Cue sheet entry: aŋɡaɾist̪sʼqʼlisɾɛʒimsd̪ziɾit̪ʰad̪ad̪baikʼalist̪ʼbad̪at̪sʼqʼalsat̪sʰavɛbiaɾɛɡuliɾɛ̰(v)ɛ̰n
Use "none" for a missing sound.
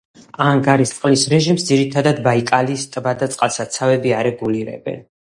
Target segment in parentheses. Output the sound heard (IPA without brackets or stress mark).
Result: b